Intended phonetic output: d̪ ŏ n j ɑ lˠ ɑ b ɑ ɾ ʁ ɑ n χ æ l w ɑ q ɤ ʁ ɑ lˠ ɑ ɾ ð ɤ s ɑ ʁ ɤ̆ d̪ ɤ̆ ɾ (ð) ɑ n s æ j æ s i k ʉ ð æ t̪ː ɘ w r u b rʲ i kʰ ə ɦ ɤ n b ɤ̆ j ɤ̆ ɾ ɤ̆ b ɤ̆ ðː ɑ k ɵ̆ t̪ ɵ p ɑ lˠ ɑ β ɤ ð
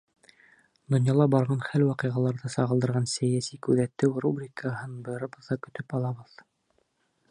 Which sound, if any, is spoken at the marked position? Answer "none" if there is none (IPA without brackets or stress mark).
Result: ʁ